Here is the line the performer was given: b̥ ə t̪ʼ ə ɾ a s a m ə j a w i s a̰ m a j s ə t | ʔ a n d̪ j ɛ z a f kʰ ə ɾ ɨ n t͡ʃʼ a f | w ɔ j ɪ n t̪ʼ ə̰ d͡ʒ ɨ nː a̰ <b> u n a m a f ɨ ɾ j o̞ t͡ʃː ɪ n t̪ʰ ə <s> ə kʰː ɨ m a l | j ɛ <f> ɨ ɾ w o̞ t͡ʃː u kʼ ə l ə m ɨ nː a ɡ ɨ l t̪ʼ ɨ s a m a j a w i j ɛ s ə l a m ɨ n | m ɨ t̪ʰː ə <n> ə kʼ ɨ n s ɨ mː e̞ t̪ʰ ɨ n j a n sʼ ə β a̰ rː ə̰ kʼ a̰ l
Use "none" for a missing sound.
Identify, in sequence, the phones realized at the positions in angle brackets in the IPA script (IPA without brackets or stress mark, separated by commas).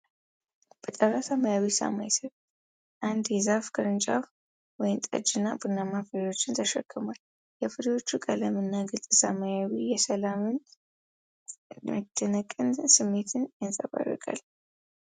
b, ʃ, f, n